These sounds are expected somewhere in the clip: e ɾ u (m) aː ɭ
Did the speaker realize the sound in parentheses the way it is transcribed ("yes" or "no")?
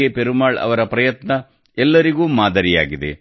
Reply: yes